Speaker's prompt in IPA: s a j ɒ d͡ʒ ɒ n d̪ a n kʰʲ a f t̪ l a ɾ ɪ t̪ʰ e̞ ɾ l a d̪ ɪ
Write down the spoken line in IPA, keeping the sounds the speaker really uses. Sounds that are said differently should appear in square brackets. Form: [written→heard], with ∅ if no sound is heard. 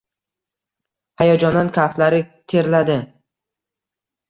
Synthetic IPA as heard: [s→h] a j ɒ d͡ʒ ɒ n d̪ a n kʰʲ a f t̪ l a ɾ ɪ t̪ʰ e̞ ɾ l a d̪ ɪ